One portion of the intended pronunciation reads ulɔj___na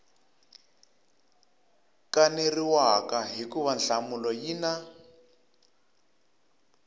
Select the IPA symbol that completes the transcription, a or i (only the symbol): i